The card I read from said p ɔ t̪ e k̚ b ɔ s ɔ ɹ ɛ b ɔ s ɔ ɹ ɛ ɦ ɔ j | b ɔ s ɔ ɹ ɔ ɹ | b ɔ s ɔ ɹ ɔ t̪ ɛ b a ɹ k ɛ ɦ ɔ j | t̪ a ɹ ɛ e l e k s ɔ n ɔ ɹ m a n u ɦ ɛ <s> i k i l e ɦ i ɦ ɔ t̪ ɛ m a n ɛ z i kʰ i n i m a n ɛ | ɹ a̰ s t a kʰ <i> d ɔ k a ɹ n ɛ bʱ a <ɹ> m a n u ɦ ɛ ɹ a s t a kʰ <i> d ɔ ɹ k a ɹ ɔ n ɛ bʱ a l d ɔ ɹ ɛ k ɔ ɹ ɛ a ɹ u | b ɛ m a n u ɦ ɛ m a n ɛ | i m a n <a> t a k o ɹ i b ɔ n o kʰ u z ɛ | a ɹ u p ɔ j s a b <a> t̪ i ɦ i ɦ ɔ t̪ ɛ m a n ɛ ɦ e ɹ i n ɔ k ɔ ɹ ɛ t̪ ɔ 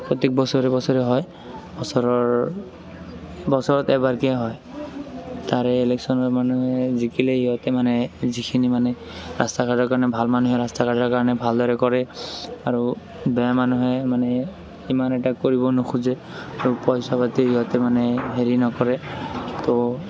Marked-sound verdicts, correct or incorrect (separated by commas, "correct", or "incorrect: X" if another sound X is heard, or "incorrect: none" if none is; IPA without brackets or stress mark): incorrect: z, incorrect: a, incorrect: l, incorrect: a, incorrect: ɛ, correct